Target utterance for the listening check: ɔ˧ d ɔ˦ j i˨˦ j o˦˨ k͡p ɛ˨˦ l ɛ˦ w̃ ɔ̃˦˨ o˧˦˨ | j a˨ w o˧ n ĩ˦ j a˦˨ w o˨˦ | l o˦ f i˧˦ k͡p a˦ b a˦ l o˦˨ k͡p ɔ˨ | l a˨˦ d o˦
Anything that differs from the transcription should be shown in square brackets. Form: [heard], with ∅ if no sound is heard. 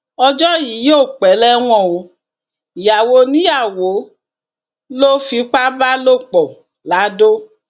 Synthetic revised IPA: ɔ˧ [d͡ʒ] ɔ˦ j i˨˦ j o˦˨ k͡p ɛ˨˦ l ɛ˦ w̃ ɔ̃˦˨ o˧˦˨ | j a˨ w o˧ n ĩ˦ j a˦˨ w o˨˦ | l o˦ f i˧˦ k͡p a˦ b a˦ l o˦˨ k͡p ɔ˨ | l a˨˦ d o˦